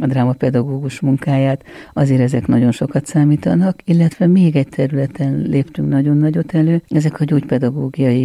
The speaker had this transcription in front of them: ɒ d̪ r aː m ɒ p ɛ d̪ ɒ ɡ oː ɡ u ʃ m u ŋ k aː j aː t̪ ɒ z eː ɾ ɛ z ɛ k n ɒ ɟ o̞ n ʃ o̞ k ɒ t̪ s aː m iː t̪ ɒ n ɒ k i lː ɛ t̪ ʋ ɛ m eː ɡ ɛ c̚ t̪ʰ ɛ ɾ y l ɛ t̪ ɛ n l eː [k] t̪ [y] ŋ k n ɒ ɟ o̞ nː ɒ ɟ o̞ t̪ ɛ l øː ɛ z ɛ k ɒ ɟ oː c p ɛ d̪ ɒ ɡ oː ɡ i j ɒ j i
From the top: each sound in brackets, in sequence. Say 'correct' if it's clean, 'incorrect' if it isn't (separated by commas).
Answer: incorrect, correct